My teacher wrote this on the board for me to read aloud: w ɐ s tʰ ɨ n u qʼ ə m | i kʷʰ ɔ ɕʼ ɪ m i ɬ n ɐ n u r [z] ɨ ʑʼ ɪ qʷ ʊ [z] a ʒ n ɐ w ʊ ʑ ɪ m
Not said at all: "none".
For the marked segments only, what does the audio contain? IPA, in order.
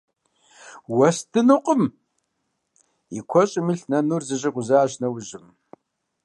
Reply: z, z

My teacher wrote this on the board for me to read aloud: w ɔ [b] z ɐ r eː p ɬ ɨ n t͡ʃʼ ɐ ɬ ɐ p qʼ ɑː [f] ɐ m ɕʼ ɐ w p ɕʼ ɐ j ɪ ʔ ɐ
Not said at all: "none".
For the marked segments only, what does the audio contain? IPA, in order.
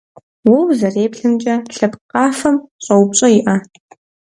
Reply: w, f

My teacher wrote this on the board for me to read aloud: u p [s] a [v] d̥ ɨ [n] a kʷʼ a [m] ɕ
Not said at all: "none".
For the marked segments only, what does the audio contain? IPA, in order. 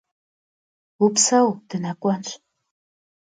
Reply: s, w, n, n

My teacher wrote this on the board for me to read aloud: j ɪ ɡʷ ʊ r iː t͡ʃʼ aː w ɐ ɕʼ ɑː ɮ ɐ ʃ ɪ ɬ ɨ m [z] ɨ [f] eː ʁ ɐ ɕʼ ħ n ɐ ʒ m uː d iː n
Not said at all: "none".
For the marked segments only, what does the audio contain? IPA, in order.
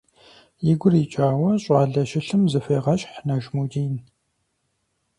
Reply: z, f

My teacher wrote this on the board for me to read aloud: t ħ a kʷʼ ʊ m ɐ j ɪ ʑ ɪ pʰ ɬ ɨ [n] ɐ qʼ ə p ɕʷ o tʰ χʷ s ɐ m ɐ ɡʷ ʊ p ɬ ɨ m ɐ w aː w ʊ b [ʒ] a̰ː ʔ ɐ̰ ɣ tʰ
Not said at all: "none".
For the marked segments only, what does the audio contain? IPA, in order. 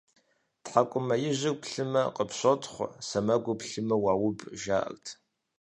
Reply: m, ʒ

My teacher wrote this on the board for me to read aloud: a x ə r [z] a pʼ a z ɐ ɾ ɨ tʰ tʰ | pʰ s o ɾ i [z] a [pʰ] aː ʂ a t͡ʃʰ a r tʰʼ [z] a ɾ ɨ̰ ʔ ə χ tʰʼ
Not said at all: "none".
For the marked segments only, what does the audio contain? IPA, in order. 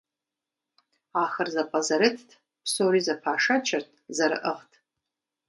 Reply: z, z, pʰ, z

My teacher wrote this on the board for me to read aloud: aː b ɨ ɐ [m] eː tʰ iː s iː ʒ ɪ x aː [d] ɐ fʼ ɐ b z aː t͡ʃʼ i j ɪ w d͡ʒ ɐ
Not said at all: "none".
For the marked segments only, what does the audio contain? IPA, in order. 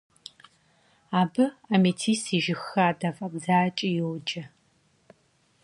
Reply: m, d

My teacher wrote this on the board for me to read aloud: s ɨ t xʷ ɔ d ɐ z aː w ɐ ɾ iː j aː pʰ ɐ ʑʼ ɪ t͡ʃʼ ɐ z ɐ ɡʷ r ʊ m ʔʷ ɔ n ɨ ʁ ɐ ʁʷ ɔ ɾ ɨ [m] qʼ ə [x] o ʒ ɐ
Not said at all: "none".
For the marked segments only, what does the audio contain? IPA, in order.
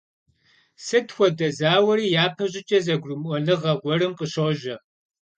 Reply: m, ɕ

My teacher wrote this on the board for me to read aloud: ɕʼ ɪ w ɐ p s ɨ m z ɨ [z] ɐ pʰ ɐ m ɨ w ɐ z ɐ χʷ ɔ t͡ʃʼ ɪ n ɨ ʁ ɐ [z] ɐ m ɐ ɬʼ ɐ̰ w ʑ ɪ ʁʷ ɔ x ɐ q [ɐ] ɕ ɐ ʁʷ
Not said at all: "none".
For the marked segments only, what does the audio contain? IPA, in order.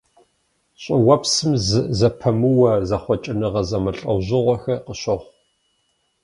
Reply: z, z, ə

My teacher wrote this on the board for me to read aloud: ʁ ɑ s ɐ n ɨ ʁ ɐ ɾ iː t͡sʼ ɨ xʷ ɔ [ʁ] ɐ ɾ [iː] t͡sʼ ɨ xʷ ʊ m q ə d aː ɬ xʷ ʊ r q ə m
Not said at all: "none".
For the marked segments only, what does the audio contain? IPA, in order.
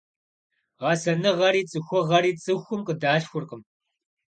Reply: ʁ, iː

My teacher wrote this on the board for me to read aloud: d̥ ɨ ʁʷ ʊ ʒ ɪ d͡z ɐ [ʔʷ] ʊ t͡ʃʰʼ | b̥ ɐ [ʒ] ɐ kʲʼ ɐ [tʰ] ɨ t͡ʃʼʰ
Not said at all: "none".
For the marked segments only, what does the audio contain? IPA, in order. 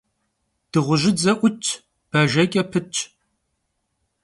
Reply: ʔʷ, ʒ, pʰ

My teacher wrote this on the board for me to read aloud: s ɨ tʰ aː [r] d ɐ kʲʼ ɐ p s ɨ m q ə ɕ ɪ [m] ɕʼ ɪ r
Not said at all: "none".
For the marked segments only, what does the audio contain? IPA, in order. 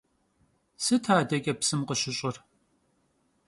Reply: none, none

